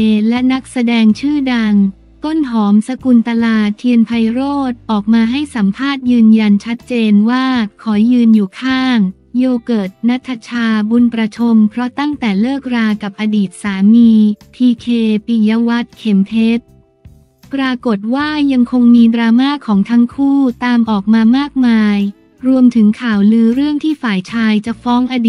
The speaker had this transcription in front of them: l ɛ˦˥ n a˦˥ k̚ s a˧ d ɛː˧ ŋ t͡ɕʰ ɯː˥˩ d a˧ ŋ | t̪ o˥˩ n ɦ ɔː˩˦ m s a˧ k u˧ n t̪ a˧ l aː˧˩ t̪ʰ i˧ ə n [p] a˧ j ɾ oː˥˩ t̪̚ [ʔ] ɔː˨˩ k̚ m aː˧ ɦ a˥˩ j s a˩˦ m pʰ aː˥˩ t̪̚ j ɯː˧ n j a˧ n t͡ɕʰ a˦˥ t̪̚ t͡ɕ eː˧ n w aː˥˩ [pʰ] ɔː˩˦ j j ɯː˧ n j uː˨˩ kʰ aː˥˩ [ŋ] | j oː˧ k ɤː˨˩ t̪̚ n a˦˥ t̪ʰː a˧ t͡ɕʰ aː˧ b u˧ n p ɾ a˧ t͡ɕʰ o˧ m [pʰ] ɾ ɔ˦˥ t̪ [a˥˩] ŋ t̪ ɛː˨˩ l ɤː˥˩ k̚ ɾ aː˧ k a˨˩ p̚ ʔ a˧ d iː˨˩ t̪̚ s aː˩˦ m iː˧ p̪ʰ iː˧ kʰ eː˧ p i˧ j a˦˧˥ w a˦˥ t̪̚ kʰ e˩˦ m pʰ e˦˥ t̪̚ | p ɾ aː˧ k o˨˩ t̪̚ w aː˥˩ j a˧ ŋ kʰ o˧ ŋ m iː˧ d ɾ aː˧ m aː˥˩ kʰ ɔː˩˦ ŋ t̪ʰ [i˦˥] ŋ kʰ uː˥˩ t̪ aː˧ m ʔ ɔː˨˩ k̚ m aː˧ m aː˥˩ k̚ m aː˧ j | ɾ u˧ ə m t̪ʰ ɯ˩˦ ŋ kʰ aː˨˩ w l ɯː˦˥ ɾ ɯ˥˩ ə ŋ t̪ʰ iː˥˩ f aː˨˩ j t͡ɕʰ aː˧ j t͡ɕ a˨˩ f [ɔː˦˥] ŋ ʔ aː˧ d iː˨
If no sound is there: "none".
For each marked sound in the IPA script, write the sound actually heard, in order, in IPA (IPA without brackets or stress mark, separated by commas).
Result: pʰ, ʔ, kʰ, ŋ, pʰ, a˥˩, a˦˥, ɔː˦˥